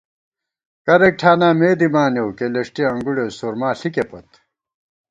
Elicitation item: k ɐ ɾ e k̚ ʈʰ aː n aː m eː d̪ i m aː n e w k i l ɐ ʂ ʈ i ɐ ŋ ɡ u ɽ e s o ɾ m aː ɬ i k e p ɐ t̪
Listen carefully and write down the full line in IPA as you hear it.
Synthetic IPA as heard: k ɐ ɾ e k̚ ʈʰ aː n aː m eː d̪ i m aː n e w k e l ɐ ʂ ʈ i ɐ ŋ ɡ u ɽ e s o ɾ m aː ɬ i k e p ɐ t̪